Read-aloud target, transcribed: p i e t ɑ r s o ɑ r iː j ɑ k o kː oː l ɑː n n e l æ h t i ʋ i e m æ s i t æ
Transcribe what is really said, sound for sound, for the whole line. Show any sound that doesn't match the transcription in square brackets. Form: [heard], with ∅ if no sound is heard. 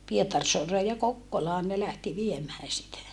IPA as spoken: p i e t ɑ r s o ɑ r [eː] j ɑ k o kː [o] l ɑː n n e l æ h t i ʋ i e m [æː] s i t æ